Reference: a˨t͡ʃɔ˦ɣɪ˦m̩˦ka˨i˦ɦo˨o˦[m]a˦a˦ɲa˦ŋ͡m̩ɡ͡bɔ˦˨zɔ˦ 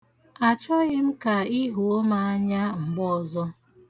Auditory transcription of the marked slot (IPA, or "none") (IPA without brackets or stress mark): m